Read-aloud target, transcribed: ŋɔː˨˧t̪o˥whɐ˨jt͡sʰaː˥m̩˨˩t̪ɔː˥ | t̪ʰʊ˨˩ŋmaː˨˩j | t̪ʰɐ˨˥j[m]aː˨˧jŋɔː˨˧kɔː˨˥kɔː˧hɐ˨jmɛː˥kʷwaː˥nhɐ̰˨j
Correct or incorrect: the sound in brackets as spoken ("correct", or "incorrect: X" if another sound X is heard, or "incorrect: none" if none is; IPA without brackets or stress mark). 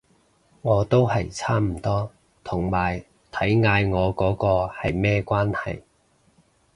incorrect: ŋ